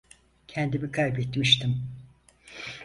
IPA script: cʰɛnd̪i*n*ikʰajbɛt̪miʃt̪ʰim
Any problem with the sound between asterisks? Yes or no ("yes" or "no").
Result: yes